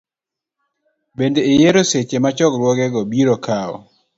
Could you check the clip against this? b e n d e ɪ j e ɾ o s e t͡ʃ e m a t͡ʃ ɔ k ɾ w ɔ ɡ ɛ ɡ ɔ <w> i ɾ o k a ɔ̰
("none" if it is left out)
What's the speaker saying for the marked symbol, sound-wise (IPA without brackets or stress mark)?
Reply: b